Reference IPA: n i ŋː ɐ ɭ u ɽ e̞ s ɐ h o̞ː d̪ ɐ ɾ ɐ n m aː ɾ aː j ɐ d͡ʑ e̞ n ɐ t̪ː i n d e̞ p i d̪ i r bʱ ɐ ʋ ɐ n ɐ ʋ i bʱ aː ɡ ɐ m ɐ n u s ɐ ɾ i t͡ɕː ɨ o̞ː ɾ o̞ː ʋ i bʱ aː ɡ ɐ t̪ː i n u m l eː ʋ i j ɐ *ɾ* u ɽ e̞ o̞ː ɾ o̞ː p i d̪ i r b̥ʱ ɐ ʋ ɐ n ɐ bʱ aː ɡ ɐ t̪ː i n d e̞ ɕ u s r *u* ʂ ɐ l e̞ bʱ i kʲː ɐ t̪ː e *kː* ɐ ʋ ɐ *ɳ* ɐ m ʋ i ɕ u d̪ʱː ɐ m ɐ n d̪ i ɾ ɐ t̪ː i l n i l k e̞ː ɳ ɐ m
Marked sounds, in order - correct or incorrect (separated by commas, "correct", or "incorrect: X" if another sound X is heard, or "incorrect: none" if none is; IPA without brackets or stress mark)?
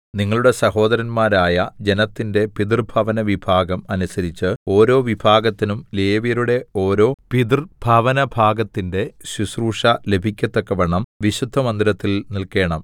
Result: correct, incorrect: uː, correct, correct